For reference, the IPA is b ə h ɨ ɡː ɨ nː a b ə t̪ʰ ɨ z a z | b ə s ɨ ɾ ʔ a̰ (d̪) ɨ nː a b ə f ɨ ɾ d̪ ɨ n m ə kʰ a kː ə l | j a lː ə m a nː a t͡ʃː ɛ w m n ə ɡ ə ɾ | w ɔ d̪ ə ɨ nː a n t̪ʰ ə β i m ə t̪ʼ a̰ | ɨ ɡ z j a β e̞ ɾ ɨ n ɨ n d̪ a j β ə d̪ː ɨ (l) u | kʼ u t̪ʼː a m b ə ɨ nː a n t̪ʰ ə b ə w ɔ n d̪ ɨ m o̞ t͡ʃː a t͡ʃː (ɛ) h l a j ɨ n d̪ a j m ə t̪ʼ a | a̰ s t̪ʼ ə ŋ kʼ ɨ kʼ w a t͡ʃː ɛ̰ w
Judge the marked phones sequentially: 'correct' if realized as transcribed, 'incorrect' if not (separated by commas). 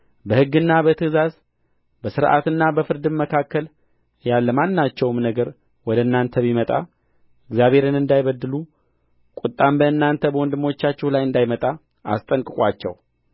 incorrect, correct, correct